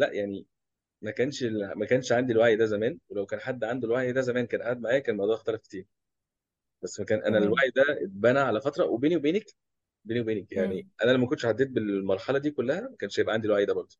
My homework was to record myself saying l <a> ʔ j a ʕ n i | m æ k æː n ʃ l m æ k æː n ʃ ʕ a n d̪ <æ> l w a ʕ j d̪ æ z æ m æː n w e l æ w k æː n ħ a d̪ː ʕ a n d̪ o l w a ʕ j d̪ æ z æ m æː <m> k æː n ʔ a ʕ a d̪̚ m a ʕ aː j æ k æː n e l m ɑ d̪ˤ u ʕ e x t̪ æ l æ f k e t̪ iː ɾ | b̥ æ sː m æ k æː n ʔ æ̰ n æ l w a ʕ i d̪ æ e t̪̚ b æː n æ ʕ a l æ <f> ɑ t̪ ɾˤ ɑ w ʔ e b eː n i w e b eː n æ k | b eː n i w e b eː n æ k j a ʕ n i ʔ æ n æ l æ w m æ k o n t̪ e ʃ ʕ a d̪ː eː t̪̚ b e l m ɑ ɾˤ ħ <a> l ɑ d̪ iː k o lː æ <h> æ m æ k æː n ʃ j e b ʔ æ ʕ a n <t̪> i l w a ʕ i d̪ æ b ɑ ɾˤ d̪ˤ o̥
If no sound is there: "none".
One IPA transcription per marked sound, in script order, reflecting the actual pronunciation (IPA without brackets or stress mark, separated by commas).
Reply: æ, i, n, f, ɑ, h, d̪